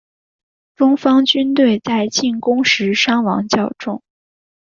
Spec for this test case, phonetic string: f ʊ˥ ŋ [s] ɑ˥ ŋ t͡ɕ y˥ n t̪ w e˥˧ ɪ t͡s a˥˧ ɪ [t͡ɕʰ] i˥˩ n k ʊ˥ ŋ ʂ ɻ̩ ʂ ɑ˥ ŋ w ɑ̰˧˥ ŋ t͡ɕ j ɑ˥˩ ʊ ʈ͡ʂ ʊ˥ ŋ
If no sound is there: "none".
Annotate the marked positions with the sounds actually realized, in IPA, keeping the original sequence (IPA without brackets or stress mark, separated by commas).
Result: f, t͡ɕ